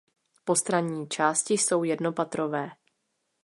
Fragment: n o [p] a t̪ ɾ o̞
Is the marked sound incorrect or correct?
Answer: correct